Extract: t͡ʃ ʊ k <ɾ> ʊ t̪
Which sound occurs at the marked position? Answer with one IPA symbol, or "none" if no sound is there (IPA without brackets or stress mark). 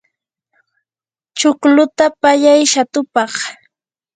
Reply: l